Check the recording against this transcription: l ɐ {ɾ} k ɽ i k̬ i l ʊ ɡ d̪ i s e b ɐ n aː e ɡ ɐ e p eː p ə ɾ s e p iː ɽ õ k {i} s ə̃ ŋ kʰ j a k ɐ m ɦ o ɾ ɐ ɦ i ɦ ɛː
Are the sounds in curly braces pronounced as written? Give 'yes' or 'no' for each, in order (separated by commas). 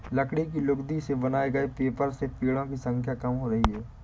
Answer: no, yes